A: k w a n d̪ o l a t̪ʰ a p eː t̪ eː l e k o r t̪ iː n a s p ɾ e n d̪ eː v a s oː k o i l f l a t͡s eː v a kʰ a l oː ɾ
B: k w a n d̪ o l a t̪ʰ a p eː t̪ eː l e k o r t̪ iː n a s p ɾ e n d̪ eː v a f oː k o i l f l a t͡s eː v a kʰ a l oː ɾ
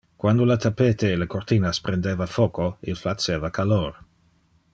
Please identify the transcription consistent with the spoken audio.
B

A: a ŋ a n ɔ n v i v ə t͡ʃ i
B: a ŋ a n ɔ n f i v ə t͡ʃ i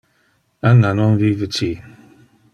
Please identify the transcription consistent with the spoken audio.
A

